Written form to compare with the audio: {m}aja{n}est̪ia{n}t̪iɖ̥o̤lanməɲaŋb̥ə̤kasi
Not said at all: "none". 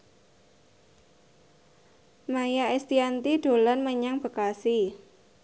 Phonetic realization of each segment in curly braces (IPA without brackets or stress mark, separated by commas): m, none, n